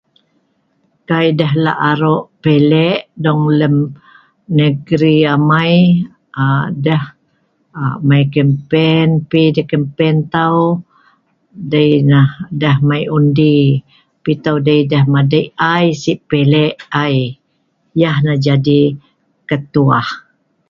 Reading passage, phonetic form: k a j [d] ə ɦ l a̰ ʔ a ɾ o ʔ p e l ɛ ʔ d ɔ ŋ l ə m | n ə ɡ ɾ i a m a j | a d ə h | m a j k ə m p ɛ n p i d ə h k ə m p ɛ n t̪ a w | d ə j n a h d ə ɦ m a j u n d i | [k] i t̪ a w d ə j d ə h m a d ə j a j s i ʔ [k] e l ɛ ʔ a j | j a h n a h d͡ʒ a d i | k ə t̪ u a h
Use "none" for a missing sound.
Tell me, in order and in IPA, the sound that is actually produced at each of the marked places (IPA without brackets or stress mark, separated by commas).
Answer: d, p, p